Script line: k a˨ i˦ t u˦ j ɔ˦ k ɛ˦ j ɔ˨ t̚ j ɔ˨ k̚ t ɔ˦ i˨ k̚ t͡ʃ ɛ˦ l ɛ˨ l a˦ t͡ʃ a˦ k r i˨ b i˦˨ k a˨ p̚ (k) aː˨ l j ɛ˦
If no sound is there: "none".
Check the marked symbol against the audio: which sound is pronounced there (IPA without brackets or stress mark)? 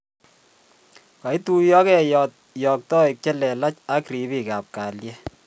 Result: k